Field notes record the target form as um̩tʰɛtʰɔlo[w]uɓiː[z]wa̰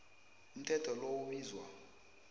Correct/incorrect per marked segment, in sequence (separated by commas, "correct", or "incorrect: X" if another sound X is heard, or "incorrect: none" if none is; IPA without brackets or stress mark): correct, correct